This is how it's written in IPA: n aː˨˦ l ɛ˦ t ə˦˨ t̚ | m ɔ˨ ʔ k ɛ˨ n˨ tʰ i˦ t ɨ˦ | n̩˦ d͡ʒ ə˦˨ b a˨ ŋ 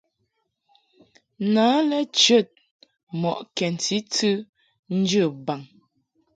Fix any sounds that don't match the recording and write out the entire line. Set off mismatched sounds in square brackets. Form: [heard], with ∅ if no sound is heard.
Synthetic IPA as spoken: n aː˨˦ l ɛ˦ [t͡ʃ] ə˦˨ t̚ | m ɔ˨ ʔ k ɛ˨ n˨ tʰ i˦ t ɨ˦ | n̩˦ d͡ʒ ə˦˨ b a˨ ŋ

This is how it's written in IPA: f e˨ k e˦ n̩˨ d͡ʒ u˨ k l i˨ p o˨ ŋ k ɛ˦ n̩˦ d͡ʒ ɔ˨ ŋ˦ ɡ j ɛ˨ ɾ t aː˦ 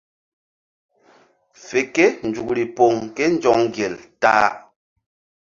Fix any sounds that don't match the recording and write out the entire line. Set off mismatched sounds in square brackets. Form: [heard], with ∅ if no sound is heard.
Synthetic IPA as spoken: f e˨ k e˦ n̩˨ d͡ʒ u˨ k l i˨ p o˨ ŋ k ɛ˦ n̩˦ d͡ʒ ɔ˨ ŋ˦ ɡ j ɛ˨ [l] t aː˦

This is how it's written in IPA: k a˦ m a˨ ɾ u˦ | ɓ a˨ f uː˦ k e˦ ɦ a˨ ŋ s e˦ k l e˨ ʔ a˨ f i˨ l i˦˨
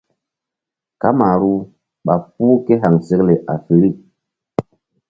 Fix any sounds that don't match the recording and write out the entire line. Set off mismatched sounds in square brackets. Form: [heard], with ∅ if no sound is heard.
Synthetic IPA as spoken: k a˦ m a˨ ɾ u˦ | ɓ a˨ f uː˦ k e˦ ɦ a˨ ŋ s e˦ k l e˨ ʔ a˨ f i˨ [ɾ] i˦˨

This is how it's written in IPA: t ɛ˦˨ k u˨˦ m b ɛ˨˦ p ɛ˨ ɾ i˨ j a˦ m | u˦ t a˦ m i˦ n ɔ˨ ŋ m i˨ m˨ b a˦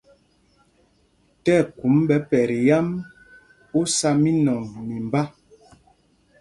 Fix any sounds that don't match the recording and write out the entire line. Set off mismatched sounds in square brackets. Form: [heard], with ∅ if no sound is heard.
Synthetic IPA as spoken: t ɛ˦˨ k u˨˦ m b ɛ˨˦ p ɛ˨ ɾ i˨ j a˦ m | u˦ [s] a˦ m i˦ n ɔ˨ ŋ m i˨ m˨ b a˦

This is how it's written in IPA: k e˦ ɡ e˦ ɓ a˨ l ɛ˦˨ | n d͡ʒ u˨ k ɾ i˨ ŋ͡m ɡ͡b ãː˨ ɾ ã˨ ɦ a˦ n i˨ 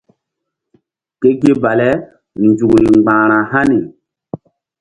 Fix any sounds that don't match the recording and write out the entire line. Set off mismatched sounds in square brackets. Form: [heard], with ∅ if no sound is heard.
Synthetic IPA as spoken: k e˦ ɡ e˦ [b] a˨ l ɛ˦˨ | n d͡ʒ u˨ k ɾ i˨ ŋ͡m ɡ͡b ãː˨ ɾ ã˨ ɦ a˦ n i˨

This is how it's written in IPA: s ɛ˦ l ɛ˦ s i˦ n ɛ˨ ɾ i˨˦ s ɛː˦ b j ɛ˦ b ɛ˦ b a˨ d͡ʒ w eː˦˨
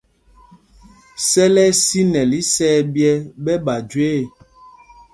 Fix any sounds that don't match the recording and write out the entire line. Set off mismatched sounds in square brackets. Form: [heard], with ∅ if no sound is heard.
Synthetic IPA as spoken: s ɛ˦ l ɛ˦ s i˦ n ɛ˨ [l] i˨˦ s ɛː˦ b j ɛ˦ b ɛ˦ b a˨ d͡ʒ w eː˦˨

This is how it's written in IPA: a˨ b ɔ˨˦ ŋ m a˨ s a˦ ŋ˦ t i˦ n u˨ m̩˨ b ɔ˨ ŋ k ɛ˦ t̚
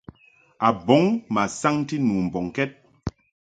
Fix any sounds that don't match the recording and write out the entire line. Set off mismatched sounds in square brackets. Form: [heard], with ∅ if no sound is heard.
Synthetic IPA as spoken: a˨ b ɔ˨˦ ŋ m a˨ s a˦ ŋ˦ t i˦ n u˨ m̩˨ b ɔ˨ ŋ k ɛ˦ t̚

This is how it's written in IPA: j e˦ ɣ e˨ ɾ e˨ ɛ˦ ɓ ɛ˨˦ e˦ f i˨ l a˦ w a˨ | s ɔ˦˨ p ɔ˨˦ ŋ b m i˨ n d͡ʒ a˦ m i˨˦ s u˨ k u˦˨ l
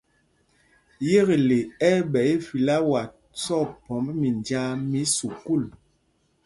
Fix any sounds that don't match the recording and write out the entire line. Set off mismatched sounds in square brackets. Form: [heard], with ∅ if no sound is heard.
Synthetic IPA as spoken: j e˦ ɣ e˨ [l] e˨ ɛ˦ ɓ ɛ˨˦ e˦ f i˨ l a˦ w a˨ | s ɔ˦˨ p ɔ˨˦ [m] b m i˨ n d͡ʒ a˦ m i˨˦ s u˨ k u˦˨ l

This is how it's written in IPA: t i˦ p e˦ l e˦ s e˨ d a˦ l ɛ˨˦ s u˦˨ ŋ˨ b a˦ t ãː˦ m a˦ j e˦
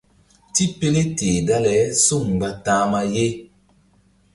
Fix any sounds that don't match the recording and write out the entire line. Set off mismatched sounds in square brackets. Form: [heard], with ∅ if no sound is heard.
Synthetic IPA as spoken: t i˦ p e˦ l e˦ [t] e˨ d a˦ l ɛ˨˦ s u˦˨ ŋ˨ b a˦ t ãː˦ m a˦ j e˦

